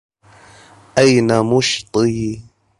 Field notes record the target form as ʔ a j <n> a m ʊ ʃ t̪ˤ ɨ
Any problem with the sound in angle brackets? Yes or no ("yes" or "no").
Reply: no